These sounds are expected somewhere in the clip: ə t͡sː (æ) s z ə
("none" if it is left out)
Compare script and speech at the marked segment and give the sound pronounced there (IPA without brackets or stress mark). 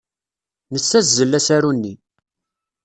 æ